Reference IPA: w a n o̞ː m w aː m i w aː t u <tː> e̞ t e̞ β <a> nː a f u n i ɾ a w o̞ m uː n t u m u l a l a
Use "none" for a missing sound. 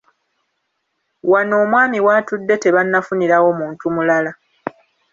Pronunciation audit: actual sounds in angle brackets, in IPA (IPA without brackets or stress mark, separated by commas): dː, a